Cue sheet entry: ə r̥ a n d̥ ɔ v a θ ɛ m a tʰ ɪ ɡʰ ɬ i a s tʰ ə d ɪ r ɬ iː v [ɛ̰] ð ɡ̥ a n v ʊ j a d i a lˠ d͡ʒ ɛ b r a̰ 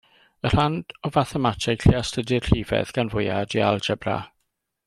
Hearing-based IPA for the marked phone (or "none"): ɛ̰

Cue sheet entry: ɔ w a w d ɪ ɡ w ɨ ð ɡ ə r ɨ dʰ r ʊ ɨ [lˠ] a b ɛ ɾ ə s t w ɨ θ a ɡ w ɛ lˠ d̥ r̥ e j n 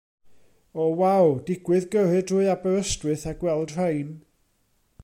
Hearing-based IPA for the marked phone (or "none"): none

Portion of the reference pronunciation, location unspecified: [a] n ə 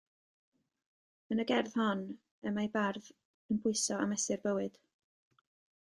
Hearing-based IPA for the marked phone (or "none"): ə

